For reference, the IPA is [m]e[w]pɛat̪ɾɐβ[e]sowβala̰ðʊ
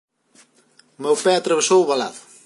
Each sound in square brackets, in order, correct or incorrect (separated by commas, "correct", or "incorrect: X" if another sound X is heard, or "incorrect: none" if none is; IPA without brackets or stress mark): correct, correct, correct